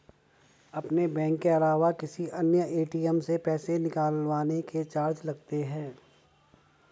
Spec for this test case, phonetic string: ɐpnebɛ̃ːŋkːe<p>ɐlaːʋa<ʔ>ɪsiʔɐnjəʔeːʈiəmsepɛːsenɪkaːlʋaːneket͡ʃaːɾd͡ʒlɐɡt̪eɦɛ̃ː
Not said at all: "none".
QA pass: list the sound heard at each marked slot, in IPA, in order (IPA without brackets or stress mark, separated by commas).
none, k